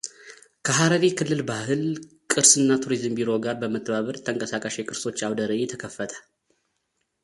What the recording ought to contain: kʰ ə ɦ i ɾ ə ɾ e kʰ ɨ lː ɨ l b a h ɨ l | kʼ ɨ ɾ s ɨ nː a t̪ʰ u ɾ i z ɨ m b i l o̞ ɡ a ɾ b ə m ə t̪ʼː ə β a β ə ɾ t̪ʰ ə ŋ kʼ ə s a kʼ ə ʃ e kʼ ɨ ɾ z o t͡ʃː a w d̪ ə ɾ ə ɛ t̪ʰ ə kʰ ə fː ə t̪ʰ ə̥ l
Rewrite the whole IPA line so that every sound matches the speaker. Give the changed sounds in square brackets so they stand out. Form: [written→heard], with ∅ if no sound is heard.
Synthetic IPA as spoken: kʰ ə ɦ [i→a] ɾ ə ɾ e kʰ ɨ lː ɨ l b a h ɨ l | kʼ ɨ ɾ s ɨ nː a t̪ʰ u ɾ i z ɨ m b i [l→ɾ] o̞ ɡ a ɾ b ə m ə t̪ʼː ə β a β ə ɾ t̪ʰ ə ŋ kʼ ə s a kʼ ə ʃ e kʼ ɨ ɾ [z→s] o t͡ʃː a w d̪ ə ɾ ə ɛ t̪ʰ ə kʰ ə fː ə t̪ʰ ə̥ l